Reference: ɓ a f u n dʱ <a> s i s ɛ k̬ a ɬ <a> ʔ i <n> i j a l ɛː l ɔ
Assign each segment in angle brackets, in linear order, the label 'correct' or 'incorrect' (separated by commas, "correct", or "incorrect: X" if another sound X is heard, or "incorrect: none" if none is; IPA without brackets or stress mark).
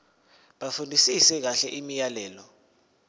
incorrect: i, incorrect: ɛ, incorrect: m